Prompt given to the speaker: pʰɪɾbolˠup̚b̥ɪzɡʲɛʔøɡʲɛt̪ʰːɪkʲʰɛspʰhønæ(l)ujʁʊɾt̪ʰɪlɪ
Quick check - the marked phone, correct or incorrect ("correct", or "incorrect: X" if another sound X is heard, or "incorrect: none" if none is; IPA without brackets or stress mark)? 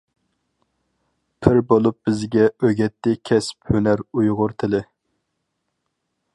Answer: incorrect: ɾ